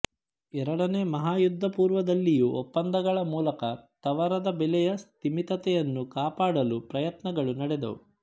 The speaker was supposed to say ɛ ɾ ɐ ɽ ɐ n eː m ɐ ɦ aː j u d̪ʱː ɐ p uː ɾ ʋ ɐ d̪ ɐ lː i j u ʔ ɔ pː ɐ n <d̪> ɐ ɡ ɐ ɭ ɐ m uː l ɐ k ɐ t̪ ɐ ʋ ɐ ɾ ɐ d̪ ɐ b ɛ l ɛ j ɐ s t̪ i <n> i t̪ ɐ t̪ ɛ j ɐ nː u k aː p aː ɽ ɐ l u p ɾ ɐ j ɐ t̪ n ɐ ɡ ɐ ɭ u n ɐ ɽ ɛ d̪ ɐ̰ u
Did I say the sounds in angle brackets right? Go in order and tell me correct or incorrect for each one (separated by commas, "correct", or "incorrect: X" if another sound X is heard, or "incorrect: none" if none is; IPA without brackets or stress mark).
correct, incorrect: m